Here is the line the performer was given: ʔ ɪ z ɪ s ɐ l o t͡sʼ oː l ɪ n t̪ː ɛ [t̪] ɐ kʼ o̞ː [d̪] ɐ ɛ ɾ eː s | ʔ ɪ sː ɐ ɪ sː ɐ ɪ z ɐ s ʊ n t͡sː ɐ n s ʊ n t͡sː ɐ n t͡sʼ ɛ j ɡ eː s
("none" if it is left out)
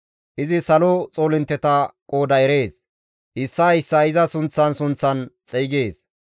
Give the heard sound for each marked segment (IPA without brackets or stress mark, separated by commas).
t̪, d̪